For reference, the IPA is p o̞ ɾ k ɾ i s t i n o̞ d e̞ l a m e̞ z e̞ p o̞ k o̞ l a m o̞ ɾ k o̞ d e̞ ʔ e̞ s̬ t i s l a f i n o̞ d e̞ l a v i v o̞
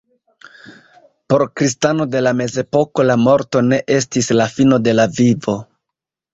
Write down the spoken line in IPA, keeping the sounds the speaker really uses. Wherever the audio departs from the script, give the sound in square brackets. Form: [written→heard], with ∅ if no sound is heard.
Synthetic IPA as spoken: p o̞ ɾ k ɾ i s t [i→a] n o̞ d e̞ l a m e̞ z e̞ p o̞ k o̞ l a m o̞ ɾ [k→t] o̞ [d→n] e̞ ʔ e̞ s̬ t i s l a f i n o̞ d e̞ l a v i v o̞